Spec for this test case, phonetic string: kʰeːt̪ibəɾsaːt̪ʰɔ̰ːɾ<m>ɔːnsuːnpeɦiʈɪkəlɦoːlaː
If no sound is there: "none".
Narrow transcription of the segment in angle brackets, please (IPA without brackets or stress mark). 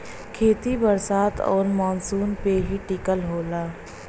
m